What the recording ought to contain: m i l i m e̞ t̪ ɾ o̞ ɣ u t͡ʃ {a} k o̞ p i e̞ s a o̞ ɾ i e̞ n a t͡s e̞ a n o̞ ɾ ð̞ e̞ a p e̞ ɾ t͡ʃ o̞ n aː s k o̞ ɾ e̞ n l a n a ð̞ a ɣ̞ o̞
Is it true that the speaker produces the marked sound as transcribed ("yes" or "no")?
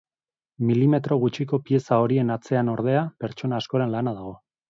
no